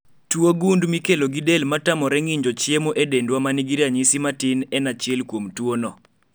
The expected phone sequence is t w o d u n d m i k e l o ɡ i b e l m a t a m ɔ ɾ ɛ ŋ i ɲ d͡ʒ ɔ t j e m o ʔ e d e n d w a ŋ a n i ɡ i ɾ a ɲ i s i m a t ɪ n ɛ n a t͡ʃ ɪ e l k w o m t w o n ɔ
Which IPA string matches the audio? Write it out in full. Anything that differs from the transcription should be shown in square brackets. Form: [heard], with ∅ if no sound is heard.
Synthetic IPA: t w o [ɡ] u n d m i k e l o ɡ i [d] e l m a t a m ɔ ɾ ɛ ŋ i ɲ d͡ʒ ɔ [t͡ʃ] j e m o ʔ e d e n d w a [m] a n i ɡ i ɾ a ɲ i s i m a t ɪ n ɛ n a t͡ʃ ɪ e l k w o m t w o n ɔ